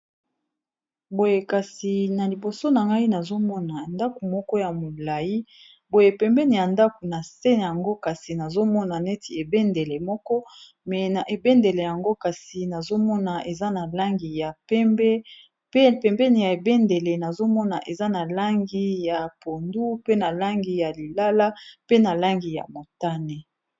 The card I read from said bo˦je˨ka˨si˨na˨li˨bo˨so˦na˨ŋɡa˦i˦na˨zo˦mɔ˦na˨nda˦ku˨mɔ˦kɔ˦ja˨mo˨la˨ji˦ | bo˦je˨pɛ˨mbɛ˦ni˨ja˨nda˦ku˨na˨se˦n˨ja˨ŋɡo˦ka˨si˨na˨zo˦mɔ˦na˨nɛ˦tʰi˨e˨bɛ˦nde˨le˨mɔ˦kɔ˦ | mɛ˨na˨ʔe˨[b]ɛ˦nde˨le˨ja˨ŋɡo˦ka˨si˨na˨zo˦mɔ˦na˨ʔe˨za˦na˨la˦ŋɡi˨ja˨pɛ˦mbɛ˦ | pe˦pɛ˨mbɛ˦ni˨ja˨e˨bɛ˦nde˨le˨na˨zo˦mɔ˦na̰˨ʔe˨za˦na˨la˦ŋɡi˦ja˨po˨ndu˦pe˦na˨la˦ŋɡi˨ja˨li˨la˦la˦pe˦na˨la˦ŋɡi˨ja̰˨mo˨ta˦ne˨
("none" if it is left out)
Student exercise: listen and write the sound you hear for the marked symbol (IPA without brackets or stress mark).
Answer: b